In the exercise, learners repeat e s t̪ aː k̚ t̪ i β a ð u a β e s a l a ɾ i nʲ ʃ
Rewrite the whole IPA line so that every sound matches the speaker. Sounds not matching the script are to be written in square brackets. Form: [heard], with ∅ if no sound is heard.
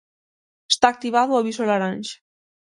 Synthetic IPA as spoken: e s t̪ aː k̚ t̪ i β a ð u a β [i] s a l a ɾ [a] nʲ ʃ